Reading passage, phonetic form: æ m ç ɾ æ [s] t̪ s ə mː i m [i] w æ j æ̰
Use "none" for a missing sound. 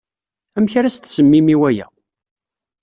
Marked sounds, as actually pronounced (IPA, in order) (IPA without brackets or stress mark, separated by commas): s, i